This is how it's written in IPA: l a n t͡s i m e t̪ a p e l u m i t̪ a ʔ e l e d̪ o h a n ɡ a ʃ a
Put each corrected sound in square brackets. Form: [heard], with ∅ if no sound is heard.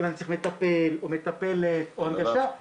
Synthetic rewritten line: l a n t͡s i m e t̪ a p e l [o] m [e] t̪ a [p] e l e [t̪] o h a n ɡ a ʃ a